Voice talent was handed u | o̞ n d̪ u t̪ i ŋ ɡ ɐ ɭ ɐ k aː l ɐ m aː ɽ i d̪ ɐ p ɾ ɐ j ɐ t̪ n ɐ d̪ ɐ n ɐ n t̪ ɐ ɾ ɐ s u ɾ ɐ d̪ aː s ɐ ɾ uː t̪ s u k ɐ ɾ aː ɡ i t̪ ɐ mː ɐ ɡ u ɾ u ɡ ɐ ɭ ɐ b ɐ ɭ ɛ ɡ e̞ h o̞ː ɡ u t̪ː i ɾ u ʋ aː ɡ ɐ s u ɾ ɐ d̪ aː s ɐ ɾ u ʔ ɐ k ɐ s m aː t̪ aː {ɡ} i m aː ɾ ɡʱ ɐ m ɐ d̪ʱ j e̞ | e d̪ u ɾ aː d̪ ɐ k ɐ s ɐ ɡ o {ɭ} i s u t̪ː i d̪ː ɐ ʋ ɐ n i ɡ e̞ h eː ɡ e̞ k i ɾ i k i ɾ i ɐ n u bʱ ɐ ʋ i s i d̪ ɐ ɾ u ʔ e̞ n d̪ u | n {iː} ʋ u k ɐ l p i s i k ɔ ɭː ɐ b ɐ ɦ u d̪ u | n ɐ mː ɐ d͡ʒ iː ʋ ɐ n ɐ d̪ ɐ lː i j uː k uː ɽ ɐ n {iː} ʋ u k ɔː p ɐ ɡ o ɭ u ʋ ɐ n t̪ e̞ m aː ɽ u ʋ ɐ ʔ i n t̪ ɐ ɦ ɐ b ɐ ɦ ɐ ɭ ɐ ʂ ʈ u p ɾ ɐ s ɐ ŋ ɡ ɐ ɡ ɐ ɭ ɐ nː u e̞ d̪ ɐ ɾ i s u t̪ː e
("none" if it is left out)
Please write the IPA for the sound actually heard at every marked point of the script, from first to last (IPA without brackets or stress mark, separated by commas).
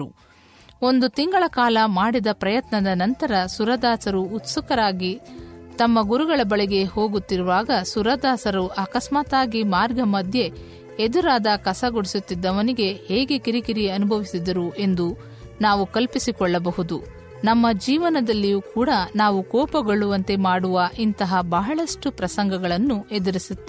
ɡ, ɽ, aː, aː